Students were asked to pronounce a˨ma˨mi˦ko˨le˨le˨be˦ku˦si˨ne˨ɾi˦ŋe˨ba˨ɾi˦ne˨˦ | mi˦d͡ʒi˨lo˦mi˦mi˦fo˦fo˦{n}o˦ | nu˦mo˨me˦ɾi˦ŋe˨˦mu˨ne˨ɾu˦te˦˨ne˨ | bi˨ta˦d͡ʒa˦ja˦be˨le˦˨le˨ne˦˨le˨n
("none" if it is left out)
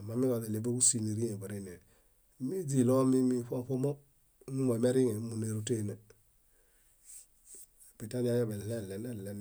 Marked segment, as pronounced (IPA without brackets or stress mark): m